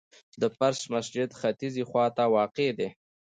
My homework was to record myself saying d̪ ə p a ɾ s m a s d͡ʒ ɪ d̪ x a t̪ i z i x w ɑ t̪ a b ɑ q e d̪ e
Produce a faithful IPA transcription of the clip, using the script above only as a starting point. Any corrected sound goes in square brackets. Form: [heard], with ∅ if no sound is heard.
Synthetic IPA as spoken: d̪ ə p a ɾ s m a s d͡ʒ ɪ d̪ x a t̪ i z i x w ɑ t̪ a [w] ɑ q e d̪ e